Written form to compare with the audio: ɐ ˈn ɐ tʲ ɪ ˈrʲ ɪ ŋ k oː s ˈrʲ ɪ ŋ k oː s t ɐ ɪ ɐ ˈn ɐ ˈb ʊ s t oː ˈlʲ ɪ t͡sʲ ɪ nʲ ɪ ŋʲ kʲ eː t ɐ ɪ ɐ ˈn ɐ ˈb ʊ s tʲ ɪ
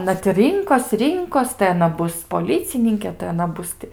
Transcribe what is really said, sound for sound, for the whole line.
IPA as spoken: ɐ ˈn ɐ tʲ ɪ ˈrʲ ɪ ŋ k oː s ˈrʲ ɪ ŋ k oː s t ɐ ɪ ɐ ˈn ɐ ˈb ʊ s p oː ˈlʲ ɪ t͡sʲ ɪ nʲ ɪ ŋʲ kʲ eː t ɐ ɪ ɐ ˈn ɐ ˈb ʊ s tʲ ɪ